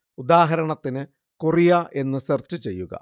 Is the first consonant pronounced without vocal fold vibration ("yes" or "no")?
no